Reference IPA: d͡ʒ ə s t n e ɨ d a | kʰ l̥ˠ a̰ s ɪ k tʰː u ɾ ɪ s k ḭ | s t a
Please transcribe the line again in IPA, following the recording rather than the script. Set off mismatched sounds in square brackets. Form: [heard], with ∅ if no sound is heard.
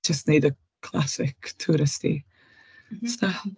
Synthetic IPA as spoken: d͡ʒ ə s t n e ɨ d [ə] | kʰ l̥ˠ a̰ s ɪ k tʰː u ɾ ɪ s [t] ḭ | s t a